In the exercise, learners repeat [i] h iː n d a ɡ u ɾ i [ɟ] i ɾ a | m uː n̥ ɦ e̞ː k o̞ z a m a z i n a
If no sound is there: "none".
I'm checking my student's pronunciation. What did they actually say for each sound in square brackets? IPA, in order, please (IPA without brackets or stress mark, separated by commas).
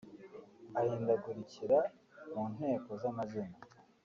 a, c